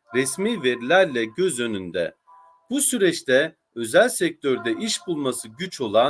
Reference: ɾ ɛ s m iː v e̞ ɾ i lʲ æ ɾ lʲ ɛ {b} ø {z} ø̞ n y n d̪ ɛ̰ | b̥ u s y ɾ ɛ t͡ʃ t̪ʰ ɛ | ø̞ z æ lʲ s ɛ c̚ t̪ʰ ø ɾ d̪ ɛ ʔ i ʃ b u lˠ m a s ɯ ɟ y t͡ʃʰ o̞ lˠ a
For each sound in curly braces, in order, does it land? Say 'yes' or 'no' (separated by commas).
no, yes